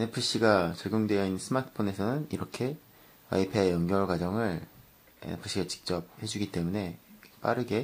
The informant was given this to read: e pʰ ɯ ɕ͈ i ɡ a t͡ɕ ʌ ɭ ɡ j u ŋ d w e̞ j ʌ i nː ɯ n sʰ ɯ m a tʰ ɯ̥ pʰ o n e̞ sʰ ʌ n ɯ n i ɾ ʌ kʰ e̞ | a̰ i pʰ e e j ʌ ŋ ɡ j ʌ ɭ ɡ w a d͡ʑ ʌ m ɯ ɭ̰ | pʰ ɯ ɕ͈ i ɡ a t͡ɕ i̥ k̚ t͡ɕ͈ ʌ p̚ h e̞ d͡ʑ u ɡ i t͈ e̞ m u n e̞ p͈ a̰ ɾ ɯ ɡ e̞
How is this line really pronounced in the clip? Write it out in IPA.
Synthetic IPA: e pʰ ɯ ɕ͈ i ɡ a t͡ɕ ʌ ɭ ɡ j o ŋ d w e̞ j ʌ i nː ɯ n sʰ ɯ m a tʰ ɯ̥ pʰ o n e̞ sʰ ʌ n ɯ n i ɾ ʌ kʰ e̞ | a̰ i pʰ e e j ʌ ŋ ɡ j ʌ ɭ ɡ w a d͡ʑ ʌ ŋ ɯ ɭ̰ | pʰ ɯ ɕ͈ i ɡ a t͡ɕ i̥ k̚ t͡ɕ͈ ʌ p̚ h e̞ d͡ʑ u ɡ i t͈ e̞ m u n e̞ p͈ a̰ ɾ ɯ ɡ e̞